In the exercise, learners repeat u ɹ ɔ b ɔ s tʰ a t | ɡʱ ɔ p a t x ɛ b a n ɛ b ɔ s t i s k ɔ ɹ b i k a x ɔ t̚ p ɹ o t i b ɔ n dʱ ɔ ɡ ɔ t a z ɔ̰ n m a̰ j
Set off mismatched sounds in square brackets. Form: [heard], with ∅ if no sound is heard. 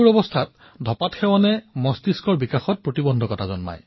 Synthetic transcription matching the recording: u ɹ ɔ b ɔ s tʰ a t | [dʱ] ɔ p a t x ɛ [w] a n ɛ [m] ɔ s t i s k ɔ ɹ b i k a x ɔ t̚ p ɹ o t i b ɔ n dʱ ɔ [k] ɔ t a z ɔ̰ n m a̰ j